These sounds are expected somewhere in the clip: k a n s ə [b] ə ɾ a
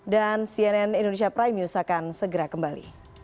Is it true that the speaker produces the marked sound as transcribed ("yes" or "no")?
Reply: no